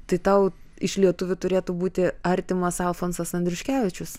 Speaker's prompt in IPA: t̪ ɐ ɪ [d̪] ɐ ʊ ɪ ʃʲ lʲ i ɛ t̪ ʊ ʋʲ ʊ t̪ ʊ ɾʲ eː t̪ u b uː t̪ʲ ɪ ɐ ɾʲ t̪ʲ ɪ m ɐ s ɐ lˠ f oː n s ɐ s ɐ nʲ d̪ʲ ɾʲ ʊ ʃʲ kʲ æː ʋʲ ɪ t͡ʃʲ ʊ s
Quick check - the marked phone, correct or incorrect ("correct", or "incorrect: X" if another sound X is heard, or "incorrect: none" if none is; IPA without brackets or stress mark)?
incorrect: t̪